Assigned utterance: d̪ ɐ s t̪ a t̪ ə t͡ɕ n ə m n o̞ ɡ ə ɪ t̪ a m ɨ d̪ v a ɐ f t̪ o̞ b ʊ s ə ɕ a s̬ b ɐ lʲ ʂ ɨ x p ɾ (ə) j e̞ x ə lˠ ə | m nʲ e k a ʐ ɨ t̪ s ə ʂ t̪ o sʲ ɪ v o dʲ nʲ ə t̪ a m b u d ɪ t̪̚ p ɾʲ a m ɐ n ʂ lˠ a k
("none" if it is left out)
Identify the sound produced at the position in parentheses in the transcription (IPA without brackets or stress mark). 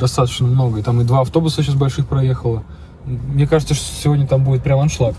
ɐ